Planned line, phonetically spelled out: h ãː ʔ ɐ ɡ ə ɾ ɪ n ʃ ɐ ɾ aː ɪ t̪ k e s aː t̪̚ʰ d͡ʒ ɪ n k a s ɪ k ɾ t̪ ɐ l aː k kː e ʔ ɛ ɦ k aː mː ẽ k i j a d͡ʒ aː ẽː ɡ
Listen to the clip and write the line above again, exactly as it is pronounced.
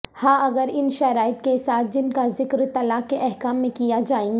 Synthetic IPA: h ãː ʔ ɐ ɡ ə ɾ ɪ n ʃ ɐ ɾ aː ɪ t̪ k e s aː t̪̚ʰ d͡ʒ ɪ n k a z ɪ k ɾ t̪ ɐ l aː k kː e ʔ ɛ ɦ k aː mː ẽ k i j a d͡ʒ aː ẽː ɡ

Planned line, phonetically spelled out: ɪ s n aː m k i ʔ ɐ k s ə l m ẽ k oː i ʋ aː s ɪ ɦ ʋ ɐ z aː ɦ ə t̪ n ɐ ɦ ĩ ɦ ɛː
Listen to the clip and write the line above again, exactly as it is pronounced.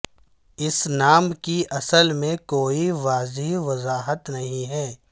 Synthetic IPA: ɪ s n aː m k i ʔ ɐ s ə l m ẽ k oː i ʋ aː z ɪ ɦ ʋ ɐ z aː ɦ ə t̪ n ɐ ɦ ĩ ɦ ɛː

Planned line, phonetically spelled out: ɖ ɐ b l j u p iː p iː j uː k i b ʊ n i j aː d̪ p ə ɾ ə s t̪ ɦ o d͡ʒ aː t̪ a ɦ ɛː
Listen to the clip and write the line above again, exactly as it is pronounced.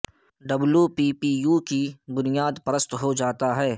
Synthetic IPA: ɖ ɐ b l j u p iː p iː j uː k i b ʊ n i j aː d̪ p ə ɾ ə s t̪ ɦ o d͡ʒ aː t̪ a ɦ ɛː

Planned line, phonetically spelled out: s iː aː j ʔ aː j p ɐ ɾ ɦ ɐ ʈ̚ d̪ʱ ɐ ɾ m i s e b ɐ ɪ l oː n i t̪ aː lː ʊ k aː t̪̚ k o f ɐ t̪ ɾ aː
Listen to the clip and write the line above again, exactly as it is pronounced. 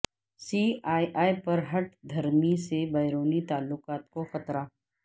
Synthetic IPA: s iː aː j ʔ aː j p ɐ ɾ ɦ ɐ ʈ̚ d̪ʱ ɐ ɾ m i s e b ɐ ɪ ɾ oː n i t̪ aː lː ʊ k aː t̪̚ k o x ɐ t̪ ɾ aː

